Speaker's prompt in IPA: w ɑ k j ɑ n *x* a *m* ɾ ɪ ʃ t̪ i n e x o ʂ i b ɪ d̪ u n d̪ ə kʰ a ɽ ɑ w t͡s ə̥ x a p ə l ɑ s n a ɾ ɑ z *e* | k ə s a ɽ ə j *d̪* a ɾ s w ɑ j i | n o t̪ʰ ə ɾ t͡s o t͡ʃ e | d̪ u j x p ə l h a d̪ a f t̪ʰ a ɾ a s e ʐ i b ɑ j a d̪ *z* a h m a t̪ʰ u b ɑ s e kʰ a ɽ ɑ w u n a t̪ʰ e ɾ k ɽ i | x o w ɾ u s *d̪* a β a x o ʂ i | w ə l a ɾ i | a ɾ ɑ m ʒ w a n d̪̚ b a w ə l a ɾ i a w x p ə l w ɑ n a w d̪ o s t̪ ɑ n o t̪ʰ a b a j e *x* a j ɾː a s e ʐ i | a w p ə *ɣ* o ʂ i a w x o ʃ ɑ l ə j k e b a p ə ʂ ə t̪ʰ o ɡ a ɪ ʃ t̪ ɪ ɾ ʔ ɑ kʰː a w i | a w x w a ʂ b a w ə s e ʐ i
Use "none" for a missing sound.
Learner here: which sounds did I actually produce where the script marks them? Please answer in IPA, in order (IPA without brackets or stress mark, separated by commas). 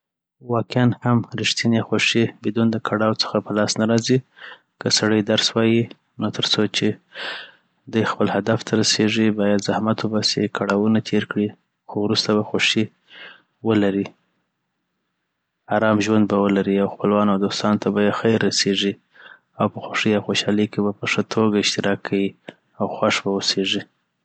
h, m, i, d̪, z, t̪, x, x